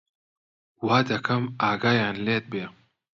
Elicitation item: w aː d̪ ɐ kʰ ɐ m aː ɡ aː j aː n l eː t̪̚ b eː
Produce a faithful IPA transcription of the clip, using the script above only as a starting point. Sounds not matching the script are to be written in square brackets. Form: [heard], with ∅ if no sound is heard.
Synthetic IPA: w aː d̪ ɐ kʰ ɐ m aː ɡ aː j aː n l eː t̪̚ b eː